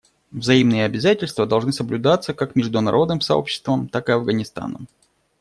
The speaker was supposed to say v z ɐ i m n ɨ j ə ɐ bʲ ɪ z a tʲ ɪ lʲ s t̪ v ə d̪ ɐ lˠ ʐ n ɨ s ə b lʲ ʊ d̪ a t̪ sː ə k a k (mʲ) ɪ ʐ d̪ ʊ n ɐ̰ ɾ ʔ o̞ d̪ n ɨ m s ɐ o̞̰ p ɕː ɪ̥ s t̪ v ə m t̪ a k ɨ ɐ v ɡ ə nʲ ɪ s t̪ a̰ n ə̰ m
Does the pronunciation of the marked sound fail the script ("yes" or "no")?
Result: no